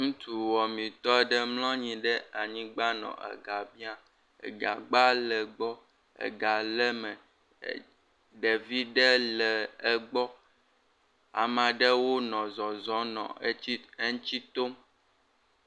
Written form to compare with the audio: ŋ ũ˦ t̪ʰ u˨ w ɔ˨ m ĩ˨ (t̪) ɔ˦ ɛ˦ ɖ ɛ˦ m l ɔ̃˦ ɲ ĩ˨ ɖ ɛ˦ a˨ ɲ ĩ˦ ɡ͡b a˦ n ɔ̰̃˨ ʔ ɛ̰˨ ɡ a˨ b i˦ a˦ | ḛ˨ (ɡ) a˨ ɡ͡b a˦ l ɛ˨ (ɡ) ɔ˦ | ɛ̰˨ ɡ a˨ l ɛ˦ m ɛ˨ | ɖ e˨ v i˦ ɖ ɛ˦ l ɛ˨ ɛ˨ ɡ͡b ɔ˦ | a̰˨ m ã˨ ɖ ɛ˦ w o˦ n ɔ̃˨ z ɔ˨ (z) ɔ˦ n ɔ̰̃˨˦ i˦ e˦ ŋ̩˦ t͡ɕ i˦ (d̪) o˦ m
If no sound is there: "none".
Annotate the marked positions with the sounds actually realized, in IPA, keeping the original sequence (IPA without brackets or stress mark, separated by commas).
t̪, ɡ, ɡ͡b, z, t̪